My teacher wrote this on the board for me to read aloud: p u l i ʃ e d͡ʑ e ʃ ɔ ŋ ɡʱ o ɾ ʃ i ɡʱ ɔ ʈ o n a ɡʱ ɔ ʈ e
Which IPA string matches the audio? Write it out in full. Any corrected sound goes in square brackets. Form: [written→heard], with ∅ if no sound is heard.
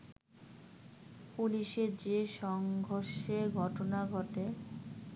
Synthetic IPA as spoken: p u l i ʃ e d͡ʑ e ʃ ɔ ŋ ɡʱ o ɾ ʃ [i→e] ɡʱ ɔ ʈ o n a ɡʱ ɔ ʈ e